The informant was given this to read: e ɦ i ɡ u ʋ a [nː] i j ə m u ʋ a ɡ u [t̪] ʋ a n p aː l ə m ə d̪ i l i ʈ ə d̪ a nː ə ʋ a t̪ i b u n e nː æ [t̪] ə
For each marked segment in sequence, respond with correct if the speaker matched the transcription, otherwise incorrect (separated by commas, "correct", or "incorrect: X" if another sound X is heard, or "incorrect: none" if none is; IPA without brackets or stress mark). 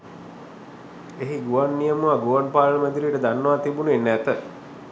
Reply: correct, incorrect: none, correct